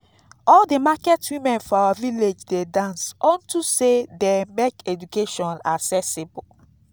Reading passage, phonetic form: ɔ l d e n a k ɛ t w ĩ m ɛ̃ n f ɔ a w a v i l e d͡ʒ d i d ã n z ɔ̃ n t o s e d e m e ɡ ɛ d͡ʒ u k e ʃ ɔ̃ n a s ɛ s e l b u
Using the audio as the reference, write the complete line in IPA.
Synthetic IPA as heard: ɔ l d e m a k ɛ t w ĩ m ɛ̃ n f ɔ a w a v i l e d͡ʒ d e d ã n s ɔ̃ n t u s e d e m e k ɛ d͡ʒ u k e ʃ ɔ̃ n a s ɛ s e b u